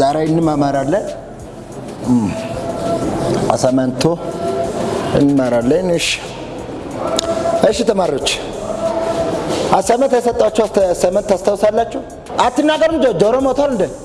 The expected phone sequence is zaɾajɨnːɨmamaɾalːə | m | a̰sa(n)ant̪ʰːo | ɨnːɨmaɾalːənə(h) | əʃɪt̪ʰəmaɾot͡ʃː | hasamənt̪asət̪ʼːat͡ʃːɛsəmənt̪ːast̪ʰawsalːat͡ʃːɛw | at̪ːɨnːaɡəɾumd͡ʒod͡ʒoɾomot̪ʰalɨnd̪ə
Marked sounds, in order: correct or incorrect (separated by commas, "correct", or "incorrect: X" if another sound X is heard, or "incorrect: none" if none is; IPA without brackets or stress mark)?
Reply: incorrect: m, incorrect: ʃ